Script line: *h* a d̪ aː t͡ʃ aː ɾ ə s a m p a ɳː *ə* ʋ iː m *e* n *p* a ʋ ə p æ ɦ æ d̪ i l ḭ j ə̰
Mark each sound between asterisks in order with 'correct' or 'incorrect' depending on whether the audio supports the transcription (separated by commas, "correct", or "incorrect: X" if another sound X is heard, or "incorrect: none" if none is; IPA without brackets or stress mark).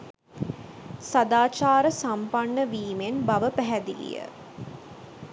incorrect: s, correct, correct, incorrect: b